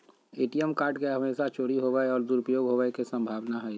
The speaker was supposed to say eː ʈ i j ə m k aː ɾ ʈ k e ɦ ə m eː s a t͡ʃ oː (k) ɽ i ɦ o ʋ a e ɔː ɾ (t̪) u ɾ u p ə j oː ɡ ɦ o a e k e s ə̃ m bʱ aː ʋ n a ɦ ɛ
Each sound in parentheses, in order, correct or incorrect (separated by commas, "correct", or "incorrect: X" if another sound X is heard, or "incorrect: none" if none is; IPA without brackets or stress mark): incorrect: none, incorrect: d̪